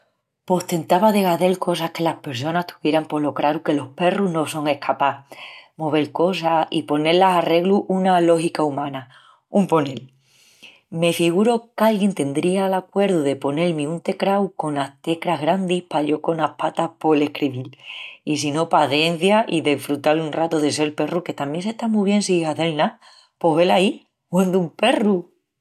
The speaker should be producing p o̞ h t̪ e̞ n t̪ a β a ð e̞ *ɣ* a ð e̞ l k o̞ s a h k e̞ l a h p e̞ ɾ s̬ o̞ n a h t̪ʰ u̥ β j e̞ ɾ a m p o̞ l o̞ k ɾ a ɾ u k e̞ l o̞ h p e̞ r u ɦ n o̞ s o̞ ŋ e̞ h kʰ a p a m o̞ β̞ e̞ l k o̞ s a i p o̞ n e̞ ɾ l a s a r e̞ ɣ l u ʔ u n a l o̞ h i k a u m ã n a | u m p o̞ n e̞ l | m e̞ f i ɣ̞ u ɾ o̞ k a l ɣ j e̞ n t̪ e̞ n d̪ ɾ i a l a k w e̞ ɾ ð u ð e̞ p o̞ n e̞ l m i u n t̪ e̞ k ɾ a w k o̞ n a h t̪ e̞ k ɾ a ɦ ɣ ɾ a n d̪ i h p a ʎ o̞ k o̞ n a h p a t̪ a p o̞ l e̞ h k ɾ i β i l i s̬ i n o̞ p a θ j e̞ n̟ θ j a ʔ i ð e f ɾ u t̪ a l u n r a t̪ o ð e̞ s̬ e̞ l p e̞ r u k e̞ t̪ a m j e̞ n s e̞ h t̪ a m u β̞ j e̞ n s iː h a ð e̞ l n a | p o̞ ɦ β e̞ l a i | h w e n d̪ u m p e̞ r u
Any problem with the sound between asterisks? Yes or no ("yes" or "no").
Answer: no